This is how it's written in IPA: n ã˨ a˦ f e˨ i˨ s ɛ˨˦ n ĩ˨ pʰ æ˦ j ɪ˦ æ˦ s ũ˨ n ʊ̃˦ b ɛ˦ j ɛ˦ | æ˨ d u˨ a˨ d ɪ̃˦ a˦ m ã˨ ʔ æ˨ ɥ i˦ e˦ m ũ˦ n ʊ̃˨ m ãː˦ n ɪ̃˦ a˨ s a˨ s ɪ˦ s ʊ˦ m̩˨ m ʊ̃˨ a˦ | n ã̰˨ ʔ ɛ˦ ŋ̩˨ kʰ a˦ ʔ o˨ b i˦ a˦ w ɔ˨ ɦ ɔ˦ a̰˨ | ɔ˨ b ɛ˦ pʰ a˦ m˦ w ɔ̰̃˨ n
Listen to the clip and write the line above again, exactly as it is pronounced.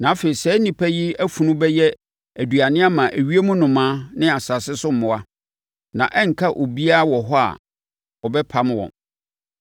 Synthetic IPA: n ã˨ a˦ f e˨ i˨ s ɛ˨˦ n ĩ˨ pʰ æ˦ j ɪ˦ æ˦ f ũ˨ n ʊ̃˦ b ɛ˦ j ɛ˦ | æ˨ d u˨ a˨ n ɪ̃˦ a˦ m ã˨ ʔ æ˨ ɥ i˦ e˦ m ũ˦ n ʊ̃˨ m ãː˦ n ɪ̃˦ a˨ s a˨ s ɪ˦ s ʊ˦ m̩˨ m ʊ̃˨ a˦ | n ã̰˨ ʔ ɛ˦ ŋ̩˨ kʰ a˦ ʔ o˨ b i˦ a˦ w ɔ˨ ɦ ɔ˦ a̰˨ | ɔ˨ b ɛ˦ pʰ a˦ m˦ w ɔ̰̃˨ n